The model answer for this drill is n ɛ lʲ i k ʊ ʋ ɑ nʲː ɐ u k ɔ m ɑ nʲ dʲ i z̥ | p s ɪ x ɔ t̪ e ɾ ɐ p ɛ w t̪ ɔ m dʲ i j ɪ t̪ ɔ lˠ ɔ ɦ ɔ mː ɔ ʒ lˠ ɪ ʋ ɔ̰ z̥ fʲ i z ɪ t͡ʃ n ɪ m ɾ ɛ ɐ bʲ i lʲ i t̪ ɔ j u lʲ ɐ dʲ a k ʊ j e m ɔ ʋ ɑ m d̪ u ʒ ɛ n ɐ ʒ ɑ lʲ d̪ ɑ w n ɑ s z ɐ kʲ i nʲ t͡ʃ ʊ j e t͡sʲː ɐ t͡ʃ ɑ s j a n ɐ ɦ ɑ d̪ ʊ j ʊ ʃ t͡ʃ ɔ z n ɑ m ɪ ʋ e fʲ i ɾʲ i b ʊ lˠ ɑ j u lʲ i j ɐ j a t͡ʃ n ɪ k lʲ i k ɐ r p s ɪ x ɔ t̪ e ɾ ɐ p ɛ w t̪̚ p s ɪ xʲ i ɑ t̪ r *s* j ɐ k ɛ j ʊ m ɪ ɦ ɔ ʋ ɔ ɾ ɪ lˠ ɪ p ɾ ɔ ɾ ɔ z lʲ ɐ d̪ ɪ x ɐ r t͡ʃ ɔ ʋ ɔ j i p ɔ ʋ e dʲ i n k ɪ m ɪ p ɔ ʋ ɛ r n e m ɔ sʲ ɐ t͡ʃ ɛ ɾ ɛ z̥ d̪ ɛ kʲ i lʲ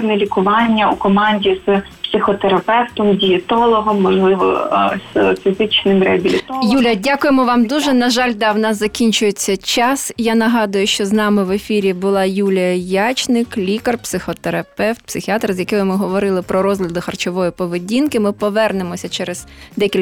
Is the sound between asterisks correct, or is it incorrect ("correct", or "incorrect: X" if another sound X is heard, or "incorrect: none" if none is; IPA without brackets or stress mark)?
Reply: incorrect: z